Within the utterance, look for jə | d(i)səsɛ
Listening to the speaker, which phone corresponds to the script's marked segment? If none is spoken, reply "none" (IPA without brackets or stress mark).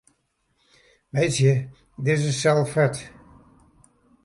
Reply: ɪ